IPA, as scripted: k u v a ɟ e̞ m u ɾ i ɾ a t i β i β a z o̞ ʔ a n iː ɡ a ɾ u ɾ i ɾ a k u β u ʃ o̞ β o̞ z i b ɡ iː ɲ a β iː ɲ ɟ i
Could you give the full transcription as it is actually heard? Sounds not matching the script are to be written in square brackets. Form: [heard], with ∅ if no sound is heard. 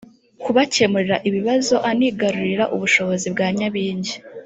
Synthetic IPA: k u [β] a [c] e̞ m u ɾ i ɾ a [ʔ] i β i β a z o̞ ʔ a n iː ɡ a ɾ u ɾ i ɾ a [ʔ] u β u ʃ o̞ β o̞ z i b ɡ [aː] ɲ a β iː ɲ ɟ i